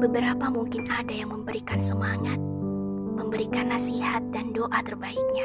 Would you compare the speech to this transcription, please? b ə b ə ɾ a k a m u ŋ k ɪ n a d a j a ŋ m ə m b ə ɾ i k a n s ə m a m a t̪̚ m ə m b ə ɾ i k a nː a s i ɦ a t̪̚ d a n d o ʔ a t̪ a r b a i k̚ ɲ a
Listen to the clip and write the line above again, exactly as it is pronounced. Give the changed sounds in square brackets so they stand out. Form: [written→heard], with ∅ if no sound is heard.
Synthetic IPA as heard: b ə b ə ɾ a [k→p] a m u ŋ k ɪ n a d a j a ŋ m ə m b ə ɾ i k a n s ə m a [m→ŋ] a t̪̚ m ə m b ə ɾ i k a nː a s i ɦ a t̪̚ d a n d o ʔ a t̪ [a→ə] r b a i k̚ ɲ a